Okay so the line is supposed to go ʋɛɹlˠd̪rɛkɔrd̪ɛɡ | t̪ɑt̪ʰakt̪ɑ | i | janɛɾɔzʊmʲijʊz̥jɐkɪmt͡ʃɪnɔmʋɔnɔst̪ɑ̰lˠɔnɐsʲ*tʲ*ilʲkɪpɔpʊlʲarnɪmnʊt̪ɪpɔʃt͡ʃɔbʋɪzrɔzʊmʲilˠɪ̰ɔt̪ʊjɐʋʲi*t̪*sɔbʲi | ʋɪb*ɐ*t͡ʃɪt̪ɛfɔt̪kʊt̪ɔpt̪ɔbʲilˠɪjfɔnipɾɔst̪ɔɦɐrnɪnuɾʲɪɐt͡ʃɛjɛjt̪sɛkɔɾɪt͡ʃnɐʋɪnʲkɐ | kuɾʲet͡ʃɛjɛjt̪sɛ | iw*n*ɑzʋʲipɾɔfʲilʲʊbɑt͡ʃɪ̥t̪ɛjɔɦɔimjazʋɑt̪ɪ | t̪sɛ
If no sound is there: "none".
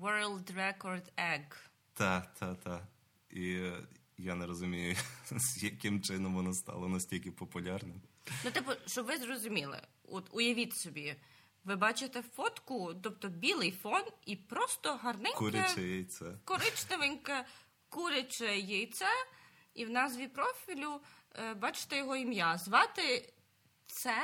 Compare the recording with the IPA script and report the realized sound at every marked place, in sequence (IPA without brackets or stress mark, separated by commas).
tʲ, t̪, ɑ, n